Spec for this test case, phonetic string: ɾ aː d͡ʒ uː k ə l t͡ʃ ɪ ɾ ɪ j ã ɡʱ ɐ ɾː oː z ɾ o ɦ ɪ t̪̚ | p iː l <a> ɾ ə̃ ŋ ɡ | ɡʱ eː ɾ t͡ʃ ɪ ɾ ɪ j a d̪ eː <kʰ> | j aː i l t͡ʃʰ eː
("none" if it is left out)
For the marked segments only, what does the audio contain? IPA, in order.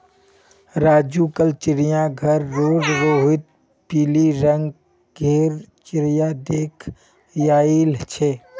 i, kʰ

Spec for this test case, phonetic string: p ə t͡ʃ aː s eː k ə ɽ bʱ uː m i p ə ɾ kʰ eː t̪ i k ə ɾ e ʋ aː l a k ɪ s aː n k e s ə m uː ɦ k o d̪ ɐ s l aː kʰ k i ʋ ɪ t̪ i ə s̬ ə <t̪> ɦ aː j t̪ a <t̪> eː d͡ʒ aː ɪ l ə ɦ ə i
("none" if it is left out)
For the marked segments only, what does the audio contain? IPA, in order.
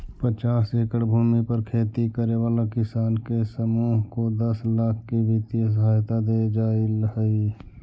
none, d̪

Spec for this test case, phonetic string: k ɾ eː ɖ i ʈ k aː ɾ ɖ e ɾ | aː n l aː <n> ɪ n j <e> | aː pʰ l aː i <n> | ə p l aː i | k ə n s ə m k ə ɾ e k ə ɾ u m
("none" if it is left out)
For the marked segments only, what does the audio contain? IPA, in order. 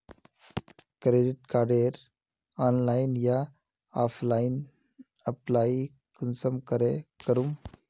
none, a, n

